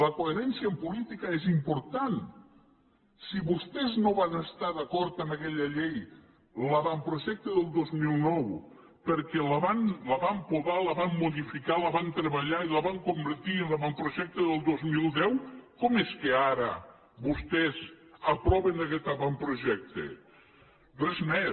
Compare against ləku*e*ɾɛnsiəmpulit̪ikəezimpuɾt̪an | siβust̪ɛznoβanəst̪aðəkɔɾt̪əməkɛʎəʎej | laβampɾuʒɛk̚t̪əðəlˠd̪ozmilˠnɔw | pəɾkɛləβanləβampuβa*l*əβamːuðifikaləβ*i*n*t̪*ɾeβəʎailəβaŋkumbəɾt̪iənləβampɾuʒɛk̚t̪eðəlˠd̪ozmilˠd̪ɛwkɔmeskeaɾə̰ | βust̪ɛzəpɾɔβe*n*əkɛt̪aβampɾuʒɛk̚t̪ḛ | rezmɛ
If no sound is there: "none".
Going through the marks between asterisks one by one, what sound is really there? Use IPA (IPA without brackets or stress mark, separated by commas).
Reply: e, l, a, t̪, n